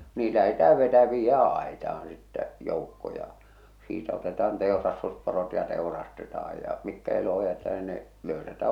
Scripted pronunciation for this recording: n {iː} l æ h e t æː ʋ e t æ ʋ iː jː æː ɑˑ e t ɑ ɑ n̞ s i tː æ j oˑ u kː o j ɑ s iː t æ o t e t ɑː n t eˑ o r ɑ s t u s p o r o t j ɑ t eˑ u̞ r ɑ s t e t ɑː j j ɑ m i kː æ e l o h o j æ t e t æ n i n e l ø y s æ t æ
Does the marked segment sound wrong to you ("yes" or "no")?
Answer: no